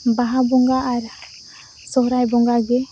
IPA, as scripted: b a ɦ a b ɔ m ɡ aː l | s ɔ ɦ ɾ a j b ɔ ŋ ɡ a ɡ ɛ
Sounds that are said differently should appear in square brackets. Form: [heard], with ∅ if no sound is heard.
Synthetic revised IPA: b a ɦ a b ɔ [ŋ] ɡ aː [ɾ] | s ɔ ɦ ɾ a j b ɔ ŋ ɡ a ɡ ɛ